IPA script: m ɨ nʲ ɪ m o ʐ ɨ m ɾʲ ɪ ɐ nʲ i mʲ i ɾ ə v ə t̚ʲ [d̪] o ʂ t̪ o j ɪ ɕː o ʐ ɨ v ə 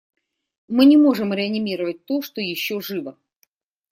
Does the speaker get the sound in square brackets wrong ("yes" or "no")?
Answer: yes